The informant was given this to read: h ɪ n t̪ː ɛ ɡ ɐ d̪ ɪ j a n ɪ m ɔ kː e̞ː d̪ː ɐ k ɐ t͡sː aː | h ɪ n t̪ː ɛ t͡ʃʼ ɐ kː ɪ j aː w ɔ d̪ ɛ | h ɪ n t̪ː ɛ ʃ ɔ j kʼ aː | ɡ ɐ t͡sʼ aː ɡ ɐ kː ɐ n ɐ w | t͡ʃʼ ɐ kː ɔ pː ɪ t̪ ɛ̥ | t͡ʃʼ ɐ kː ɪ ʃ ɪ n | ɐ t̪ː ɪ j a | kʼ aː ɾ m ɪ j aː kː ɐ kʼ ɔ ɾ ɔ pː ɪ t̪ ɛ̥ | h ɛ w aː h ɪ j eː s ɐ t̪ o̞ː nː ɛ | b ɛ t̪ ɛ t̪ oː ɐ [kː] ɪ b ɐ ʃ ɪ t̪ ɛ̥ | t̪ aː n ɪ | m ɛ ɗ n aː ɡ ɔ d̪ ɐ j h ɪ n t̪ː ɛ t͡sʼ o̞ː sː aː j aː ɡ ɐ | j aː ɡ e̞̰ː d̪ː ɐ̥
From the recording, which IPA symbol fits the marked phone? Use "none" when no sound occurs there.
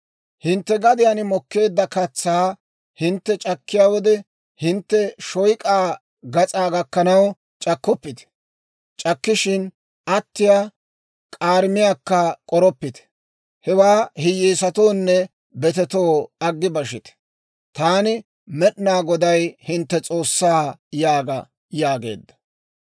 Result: ɡː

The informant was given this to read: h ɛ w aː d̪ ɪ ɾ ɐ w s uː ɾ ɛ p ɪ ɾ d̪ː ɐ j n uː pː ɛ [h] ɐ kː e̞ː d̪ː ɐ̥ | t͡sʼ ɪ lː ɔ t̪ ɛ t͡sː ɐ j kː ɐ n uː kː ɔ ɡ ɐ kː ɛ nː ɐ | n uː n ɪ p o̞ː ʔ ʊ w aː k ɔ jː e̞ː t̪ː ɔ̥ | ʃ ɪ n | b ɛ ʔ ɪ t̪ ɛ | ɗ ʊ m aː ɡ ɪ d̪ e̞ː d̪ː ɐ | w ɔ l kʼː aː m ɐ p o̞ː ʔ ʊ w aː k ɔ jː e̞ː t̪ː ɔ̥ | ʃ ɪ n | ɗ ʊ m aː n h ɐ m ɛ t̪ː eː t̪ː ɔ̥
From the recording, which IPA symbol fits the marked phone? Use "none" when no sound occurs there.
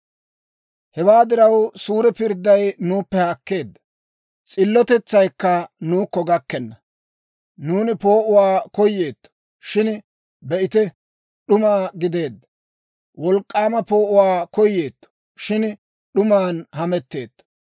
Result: h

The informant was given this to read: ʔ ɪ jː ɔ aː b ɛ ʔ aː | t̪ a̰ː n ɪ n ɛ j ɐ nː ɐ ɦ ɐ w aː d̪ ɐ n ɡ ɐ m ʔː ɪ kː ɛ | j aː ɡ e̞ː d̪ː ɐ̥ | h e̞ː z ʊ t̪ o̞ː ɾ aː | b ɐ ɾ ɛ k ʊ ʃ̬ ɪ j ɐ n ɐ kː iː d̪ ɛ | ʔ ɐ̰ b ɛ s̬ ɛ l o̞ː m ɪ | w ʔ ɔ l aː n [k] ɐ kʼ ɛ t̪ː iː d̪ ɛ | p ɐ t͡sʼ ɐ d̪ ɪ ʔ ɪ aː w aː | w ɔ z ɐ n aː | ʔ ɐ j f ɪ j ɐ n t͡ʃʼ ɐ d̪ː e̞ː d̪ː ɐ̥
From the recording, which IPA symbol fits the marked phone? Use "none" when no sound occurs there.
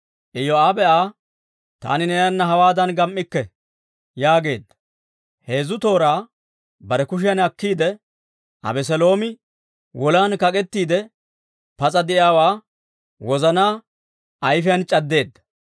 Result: k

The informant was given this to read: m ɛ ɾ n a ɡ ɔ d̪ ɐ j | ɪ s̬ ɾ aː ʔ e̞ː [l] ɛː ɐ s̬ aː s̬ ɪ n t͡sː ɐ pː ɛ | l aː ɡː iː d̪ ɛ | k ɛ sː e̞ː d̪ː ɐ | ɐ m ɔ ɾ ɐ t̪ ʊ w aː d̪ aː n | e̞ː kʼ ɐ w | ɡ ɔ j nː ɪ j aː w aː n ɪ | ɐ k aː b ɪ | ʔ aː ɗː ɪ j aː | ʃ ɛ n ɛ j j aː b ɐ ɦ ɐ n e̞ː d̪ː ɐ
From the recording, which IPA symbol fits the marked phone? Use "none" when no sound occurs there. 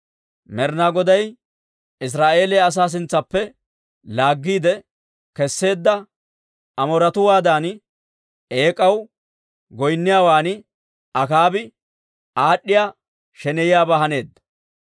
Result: l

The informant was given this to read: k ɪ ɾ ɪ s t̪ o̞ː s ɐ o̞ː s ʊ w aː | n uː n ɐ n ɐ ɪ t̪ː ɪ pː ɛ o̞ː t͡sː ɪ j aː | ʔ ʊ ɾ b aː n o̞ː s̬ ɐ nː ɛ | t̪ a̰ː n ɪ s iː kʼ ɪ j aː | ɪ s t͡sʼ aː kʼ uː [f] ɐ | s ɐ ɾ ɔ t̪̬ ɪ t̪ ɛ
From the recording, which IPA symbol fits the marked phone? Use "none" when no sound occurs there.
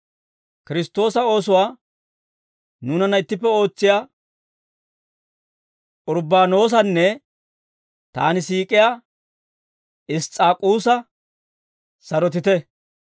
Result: s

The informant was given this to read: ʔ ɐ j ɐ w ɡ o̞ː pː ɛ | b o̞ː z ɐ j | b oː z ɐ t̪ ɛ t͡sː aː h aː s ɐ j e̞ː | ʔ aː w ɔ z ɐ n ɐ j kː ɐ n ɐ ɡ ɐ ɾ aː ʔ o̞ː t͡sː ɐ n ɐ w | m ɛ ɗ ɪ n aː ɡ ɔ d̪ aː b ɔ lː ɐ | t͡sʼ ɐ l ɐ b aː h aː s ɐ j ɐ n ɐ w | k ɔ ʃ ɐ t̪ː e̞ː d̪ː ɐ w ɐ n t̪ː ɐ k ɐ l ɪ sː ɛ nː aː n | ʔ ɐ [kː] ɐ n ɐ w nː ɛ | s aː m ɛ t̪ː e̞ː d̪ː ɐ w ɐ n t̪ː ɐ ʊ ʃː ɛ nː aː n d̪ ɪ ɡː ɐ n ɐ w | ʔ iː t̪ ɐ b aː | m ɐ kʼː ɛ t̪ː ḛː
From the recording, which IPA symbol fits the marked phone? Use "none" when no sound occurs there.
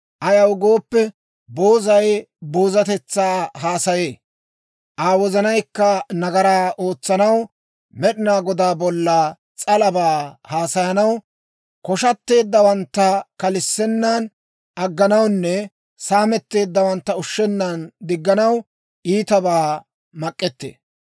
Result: ɡː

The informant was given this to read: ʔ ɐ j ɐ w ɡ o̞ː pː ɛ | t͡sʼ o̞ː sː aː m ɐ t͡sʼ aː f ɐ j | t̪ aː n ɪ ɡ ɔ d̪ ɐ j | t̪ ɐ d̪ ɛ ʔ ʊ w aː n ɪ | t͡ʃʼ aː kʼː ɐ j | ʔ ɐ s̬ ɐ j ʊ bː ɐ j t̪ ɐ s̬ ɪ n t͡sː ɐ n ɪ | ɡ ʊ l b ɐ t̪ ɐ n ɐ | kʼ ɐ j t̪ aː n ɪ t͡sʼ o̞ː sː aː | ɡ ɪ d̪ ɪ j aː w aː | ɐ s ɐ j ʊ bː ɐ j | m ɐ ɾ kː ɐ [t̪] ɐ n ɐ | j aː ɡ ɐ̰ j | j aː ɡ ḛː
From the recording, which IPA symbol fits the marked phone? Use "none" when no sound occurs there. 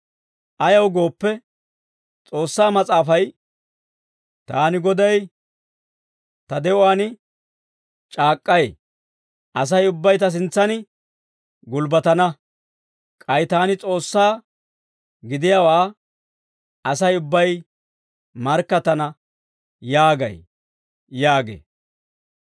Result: t̪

